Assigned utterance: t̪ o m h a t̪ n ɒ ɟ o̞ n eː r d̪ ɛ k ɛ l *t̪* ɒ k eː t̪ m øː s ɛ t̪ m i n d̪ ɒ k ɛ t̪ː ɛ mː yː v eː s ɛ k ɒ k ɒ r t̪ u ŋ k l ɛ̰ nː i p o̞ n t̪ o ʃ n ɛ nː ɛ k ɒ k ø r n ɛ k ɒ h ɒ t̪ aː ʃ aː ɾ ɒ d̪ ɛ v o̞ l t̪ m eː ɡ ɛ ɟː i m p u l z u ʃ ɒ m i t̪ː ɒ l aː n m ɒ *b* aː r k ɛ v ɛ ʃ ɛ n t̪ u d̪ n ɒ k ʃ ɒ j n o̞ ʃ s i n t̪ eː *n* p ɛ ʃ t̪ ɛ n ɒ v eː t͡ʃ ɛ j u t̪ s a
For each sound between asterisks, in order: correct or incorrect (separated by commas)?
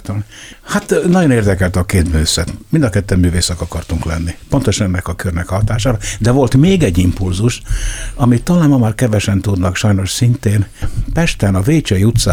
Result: correct, incorrect, correct